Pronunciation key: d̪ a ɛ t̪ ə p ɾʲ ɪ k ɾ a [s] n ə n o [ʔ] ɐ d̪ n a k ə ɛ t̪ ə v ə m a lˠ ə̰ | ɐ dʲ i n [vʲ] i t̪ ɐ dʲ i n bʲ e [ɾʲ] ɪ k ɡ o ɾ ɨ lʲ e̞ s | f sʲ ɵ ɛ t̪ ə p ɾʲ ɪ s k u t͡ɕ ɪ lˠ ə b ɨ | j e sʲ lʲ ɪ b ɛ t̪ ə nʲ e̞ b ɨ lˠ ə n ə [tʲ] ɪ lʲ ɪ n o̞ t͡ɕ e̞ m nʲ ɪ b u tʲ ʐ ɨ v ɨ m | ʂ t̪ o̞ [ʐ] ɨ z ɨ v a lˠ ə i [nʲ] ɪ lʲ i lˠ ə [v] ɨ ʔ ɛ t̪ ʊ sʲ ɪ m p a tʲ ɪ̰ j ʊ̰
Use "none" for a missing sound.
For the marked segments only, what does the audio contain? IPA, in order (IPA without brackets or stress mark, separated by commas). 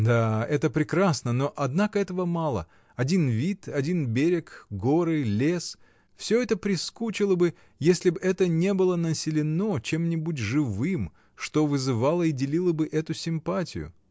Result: s, ʔ, vʲ, ɾʲ, sʲ, v, dʲ, b